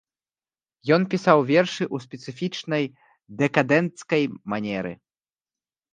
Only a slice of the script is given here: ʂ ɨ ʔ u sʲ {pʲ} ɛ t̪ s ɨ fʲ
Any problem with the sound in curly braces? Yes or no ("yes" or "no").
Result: no